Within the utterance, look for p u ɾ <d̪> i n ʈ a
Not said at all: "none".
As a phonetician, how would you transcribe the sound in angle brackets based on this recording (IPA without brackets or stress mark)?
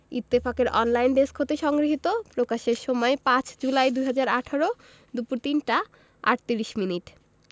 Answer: t̪